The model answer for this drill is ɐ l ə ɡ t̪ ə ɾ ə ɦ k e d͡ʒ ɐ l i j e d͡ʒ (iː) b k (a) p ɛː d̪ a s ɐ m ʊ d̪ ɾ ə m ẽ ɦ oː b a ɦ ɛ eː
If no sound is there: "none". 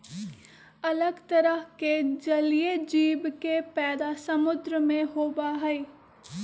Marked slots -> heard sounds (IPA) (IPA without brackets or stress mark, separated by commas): iː, e